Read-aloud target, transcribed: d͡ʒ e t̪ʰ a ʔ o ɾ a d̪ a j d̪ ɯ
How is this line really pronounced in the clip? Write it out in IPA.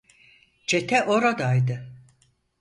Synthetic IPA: d͡ʒ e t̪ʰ ɛ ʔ o ɾ a d̪ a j d̪ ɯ